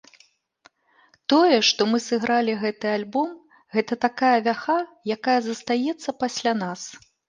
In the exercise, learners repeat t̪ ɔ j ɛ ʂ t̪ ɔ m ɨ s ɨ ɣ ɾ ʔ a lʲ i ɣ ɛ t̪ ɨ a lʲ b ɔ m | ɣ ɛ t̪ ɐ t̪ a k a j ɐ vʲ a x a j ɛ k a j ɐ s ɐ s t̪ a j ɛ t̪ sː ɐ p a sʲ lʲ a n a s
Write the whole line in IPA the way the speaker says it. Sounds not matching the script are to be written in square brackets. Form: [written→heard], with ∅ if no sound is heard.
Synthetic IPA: t̪ ɔ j ɛ ʂ t̪ ɔ m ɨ s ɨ ɣ ɾ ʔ a lʲ i ɣ ɛ t̪ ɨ a lʲ b ɔ m | ɣ ɛ t̪ ɐ t̪ a k a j ɐ vʲ a x a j [ɛ→a] k a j ɐ [s→z] ɐ s t̪ a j ɛ t̪ sː ɐ p a sʲ lʲ a n a s